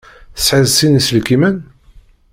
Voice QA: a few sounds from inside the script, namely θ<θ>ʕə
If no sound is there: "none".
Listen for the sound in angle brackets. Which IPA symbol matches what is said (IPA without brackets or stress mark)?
s